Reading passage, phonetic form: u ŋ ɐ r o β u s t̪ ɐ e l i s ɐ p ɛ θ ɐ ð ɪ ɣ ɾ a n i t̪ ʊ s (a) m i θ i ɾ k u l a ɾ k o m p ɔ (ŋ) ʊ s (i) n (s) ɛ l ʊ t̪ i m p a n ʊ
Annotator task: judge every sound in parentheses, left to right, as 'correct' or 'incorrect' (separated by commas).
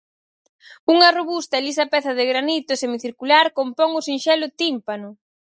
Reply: incorrect, correct, correct, incorrect